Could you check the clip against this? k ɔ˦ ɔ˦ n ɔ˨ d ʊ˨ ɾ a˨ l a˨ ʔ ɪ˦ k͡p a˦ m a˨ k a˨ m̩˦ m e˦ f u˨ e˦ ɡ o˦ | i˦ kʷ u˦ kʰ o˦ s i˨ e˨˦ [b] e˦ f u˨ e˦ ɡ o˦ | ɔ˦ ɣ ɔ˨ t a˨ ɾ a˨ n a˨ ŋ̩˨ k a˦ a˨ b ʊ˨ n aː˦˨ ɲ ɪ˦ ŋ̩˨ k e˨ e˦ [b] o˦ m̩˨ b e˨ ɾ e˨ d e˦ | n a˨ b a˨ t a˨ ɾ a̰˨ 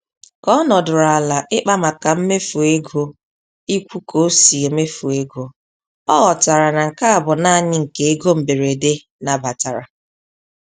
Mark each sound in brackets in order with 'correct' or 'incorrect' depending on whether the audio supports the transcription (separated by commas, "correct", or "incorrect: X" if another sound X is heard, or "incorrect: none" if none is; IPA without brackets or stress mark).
incorrect: m, incorrect: ɡ